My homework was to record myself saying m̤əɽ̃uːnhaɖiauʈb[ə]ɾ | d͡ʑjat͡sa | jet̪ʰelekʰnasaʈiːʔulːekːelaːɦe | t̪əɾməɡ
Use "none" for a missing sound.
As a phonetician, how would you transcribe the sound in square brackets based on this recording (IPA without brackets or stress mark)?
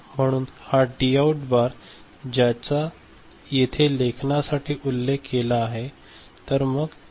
a